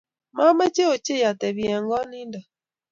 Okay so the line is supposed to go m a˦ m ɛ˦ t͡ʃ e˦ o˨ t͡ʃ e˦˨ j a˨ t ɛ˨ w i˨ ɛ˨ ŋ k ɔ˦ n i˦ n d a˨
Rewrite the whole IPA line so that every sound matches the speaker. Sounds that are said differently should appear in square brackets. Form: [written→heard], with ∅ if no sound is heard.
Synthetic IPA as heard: m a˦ m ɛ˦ t͡ʃ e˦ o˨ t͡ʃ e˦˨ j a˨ t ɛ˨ [w→β] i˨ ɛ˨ ŋ [k→ɡ] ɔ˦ n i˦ n d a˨